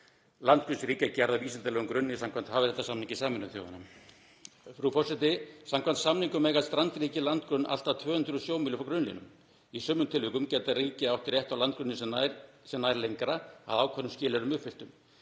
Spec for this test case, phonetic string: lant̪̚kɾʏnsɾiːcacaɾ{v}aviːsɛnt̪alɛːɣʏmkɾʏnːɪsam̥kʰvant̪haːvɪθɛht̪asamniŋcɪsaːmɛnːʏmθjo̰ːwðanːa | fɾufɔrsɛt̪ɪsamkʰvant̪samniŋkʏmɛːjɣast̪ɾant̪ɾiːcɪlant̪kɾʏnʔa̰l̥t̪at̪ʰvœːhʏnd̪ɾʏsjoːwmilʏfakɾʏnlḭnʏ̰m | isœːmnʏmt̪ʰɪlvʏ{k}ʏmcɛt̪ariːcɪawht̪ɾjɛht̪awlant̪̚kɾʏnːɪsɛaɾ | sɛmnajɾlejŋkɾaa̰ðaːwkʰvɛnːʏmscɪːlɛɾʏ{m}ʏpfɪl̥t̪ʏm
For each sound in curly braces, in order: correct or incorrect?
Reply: incorrect: ð, correct, correct

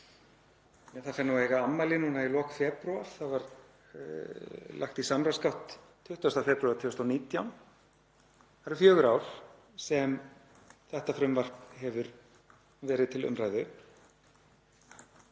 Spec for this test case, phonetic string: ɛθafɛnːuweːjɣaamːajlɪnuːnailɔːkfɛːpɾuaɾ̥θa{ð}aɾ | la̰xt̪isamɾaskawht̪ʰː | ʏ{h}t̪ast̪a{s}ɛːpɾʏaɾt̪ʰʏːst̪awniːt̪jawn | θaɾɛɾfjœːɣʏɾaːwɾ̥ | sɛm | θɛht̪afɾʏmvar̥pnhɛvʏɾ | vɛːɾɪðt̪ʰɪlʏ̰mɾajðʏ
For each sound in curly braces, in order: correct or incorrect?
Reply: incorrect: v, correct, incorrect: f

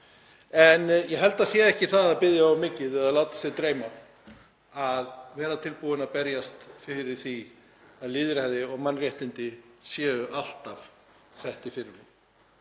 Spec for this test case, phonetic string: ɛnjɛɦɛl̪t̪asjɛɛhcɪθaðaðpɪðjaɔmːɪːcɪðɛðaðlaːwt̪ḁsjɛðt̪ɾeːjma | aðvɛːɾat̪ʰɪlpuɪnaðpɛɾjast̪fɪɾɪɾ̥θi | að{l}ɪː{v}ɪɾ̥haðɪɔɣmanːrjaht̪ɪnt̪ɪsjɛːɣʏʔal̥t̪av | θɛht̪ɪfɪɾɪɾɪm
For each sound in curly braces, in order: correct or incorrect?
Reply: correct, incorrect: ð

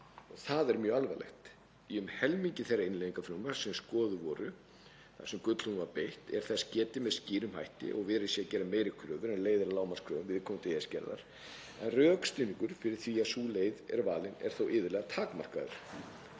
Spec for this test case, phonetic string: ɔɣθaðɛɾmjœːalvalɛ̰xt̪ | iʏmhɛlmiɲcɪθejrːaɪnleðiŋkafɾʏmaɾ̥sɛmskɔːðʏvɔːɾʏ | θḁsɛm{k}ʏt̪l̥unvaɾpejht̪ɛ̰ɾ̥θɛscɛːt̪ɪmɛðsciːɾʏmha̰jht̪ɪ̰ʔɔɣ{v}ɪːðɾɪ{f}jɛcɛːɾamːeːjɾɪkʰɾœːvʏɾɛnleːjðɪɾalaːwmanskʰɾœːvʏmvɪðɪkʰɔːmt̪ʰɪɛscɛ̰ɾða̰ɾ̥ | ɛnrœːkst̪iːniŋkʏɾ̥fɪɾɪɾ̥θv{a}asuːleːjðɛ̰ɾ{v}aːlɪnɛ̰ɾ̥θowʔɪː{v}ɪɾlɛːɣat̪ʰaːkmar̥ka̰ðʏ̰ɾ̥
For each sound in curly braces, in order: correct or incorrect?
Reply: correct, correct, incorrect: s, incorrect: i, correct, incorrect: ð

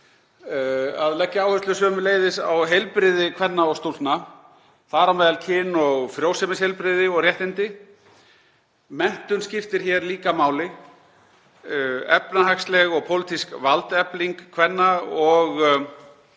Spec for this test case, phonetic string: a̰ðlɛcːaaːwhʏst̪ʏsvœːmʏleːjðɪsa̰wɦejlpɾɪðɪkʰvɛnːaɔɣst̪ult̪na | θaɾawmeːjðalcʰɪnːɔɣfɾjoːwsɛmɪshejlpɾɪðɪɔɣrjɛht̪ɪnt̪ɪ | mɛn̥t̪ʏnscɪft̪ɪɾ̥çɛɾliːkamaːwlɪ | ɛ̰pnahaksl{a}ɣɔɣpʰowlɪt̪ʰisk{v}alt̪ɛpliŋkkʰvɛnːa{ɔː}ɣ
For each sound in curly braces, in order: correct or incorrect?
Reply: incorrect: ɛ, correct, incorrect: ɔ

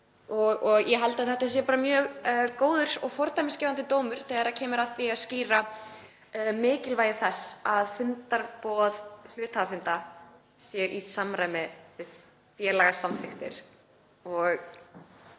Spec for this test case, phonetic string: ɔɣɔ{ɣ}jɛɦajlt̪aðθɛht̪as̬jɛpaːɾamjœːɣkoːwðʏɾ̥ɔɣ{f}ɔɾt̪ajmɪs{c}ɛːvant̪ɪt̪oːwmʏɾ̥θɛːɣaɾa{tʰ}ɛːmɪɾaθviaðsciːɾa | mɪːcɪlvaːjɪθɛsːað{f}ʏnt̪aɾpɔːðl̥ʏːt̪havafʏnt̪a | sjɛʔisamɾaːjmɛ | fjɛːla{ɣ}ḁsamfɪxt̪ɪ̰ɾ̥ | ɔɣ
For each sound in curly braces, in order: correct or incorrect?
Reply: correct, correct, correct, incorrect: cʰ, correct, correct

